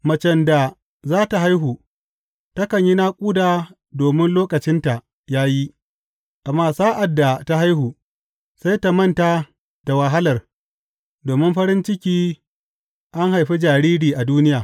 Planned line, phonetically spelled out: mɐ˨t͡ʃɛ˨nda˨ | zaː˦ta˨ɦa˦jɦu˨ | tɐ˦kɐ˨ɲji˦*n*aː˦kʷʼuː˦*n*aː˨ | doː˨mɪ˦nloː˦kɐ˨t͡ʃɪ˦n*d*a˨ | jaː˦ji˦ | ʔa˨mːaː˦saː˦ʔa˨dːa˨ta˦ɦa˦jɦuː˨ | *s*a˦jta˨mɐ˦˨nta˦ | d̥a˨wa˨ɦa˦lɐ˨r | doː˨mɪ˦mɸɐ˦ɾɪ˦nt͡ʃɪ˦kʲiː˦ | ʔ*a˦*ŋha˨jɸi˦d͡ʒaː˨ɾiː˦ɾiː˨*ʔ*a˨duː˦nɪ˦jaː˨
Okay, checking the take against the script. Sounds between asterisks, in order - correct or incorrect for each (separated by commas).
correct, incorrect, incorrect, correct, correct, correct